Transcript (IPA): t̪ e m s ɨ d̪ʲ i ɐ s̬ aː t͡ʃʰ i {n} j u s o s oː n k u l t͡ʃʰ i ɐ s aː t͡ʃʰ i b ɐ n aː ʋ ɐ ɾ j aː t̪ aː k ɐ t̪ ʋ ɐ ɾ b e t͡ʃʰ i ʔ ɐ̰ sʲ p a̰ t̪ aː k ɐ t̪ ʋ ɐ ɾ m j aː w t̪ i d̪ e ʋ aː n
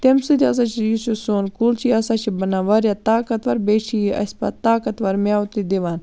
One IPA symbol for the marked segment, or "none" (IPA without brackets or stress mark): none